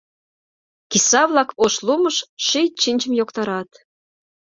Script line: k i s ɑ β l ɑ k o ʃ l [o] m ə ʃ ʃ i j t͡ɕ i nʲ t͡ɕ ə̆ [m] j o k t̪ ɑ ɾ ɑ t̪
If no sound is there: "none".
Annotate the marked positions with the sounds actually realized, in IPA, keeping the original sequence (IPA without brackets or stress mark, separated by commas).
u, m